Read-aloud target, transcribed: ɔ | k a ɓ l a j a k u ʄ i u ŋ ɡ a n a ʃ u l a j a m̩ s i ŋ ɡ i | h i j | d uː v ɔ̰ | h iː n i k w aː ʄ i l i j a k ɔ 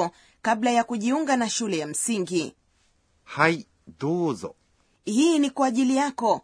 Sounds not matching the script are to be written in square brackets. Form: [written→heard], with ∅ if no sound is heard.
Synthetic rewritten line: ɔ | k a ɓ l a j a k u ʄ i u ŋ ɡ a n a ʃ u l [a→ɛ] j a m̩ s i ŋ ɡ i | h [i→a] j | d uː [v→z] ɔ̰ | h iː n i k w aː ʄ i l i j a k ɔ